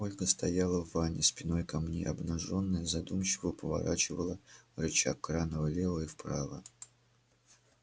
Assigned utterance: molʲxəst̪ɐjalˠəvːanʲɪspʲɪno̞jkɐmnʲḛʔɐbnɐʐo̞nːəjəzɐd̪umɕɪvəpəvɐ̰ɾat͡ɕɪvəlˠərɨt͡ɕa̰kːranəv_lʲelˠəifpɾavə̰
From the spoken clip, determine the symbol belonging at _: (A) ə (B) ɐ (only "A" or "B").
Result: A